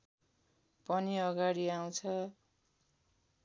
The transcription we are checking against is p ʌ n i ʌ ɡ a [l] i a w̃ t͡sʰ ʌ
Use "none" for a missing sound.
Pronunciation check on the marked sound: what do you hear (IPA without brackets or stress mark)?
ɽ